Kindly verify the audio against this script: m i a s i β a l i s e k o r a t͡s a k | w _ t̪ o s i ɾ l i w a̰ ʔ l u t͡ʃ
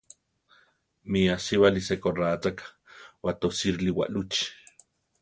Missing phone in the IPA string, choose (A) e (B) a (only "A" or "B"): B